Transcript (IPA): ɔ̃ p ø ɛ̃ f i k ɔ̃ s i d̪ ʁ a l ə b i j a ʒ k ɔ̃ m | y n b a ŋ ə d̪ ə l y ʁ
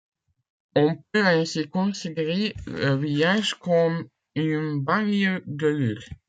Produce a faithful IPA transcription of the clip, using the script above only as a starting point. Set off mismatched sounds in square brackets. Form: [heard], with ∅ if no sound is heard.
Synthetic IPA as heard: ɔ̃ p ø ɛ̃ [s] i k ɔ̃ s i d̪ ʁ [e] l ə [v] i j a ʒ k [ɔ] m | y n b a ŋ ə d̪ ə l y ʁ